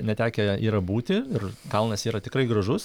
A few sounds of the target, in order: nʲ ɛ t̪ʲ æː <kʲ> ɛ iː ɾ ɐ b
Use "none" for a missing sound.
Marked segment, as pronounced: kʲ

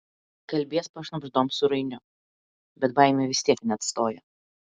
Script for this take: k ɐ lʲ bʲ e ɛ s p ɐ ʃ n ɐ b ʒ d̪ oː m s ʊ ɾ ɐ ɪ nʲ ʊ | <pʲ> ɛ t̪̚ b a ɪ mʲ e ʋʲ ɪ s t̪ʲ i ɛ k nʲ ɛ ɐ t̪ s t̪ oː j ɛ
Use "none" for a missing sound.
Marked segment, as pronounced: bʲ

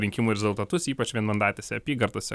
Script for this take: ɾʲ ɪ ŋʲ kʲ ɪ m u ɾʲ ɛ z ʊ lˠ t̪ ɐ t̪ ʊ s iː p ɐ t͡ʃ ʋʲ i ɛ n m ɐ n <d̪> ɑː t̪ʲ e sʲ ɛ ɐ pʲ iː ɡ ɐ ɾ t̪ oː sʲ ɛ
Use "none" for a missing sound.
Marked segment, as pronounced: d̪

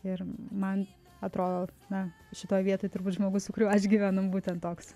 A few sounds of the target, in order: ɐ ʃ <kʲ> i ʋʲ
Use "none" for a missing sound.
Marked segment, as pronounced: ɡʲ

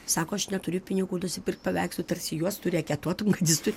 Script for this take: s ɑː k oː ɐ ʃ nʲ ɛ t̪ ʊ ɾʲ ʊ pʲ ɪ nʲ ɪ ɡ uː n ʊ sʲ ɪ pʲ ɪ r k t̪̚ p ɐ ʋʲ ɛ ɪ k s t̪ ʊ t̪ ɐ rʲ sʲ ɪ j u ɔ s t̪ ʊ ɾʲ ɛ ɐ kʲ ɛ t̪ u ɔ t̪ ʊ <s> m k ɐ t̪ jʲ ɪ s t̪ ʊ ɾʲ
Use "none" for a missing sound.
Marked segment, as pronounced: none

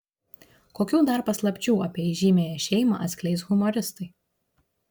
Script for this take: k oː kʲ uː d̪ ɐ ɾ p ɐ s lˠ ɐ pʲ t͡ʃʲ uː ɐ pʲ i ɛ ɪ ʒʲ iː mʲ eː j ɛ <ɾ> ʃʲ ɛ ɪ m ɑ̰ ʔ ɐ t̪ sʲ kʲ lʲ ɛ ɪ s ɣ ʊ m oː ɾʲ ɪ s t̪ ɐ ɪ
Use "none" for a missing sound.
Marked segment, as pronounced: none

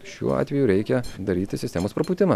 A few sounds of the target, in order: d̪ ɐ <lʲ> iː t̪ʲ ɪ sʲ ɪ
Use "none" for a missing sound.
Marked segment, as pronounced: ɾʲ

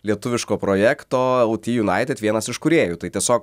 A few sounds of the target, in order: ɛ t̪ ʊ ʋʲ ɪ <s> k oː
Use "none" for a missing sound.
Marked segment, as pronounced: ʃ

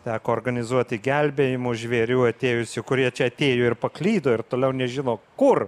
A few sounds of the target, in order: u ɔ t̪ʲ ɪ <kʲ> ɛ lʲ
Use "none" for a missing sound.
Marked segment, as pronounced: ɡʲ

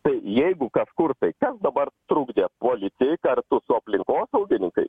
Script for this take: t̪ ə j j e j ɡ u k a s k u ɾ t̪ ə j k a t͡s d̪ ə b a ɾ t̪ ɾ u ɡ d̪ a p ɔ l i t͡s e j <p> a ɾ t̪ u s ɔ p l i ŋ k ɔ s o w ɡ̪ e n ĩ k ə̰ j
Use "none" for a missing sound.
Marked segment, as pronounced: k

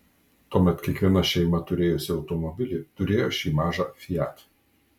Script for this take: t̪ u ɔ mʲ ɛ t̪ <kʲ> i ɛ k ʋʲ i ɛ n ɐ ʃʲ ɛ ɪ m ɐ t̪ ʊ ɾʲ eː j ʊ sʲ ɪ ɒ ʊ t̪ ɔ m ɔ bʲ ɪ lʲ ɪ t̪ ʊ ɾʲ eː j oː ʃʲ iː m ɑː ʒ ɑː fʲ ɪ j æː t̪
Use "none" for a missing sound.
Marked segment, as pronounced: kʲ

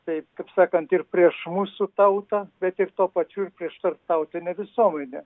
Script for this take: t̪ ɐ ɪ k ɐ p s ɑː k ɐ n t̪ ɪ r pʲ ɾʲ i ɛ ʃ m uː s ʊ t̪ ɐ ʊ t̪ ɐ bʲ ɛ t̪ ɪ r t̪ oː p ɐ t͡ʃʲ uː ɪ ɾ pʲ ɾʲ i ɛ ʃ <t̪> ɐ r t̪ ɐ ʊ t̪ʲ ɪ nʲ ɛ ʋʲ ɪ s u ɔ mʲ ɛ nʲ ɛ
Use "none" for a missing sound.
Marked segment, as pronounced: t̪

